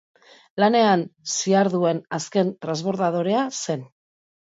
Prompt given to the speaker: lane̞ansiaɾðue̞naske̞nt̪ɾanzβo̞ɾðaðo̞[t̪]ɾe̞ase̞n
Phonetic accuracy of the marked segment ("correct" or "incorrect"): incorrect